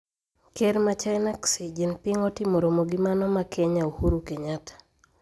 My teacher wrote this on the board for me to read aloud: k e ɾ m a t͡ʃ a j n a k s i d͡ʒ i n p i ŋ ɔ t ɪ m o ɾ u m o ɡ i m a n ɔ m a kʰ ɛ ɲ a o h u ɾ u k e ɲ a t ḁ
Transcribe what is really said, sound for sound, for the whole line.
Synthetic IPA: k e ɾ m a t͡ʃ a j n a k s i d͡ʒ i n p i ŋ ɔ t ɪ m o ɾ o m o ɡ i m a n ɔ m a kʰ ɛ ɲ a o h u ɾ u k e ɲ a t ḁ